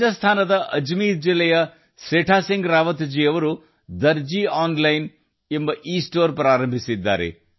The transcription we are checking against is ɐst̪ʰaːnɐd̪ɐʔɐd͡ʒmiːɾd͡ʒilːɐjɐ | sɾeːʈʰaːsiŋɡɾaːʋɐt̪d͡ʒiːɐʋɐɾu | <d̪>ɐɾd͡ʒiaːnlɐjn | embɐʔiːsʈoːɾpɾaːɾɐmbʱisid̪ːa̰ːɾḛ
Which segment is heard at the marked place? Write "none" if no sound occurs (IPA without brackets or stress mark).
d̪